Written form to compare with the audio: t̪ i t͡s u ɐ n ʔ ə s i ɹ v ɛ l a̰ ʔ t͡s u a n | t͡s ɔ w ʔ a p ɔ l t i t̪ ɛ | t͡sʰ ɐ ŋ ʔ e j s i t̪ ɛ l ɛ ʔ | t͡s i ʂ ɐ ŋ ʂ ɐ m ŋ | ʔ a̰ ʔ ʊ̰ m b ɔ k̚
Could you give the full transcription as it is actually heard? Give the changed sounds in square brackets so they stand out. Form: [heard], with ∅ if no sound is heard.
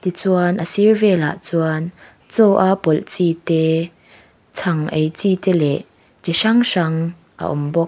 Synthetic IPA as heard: t̪ i t͡s u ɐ n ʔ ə s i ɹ v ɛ l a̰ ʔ t͡s u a n | t͡s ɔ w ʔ a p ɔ l [t͡s] i t̪ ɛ | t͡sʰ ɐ ŋ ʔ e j [t͡s] i t̪ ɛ l ɛ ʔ | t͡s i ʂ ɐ ŋ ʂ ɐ [∅] ŋ | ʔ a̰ ʔ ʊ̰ m b ɔ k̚